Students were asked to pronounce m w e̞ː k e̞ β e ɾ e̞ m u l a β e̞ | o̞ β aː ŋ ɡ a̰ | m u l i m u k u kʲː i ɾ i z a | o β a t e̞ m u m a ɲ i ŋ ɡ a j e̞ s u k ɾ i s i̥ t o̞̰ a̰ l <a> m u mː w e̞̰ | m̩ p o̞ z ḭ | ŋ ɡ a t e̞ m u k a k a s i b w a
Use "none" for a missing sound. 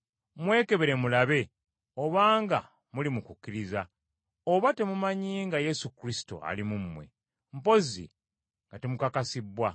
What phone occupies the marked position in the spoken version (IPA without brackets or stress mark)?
i